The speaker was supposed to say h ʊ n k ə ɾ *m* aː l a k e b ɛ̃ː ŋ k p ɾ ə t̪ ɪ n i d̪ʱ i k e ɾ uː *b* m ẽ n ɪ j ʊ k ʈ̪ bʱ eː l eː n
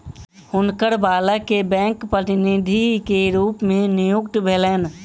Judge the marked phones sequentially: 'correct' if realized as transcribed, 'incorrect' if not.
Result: incorrect: b, incorrect: p

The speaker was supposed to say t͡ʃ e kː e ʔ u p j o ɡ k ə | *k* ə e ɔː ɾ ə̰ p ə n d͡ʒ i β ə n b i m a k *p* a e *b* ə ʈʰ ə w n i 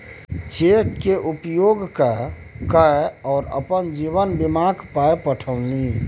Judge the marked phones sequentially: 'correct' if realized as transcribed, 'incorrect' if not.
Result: correct, correct, incorrect: p

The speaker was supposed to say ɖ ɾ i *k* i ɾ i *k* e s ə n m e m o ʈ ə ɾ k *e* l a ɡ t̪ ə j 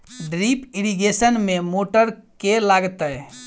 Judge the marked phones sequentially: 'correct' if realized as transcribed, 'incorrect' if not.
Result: incorrect: p, incorrect: ɡ, correct

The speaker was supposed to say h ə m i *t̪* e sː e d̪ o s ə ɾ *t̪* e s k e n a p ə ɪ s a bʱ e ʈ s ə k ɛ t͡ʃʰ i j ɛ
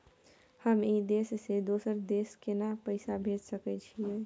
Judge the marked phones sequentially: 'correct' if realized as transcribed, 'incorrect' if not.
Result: incorrect: d̪, incorrect: d̪

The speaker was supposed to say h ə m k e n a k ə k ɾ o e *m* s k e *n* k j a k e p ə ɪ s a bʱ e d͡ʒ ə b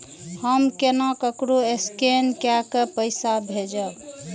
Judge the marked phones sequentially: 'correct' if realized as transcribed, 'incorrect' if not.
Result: incorrect: none, correct

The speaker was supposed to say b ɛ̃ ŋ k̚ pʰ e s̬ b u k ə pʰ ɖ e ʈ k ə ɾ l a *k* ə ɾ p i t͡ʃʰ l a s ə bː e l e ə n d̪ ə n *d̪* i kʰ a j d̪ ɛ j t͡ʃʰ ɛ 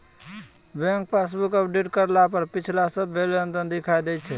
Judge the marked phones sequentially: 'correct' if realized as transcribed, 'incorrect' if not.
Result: incorrect: p, correct

